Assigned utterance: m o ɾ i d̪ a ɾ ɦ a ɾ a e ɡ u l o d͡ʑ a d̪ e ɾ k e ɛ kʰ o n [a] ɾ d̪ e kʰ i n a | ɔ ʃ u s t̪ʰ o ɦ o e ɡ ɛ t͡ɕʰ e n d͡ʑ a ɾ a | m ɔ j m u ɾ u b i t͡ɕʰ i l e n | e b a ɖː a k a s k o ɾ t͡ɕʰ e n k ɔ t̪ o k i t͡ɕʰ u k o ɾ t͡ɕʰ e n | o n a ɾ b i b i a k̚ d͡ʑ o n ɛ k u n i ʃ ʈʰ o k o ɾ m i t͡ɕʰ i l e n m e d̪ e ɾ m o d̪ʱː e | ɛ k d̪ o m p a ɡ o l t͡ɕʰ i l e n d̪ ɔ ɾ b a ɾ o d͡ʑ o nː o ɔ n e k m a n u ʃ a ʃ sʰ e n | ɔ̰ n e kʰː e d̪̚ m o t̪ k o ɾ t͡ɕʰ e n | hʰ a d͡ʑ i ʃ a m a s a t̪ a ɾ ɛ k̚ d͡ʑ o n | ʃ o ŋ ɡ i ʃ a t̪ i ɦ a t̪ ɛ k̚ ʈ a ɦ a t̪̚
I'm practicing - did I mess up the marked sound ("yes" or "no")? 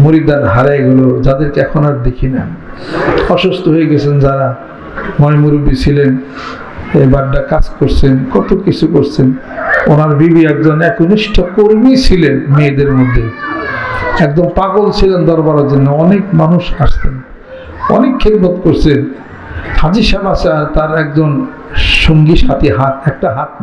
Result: no